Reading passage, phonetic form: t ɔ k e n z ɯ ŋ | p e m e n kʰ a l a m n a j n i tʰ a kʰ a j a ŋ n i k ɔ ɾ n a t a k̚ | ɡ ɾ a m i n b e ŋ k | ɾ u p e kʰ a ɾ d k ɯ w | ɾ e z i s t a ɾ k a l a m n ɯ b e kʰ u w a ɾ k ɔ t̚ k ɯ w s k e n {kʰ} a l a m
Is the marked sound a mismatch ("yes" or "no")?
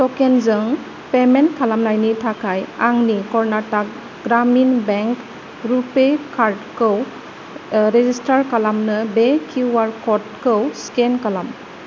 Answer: yes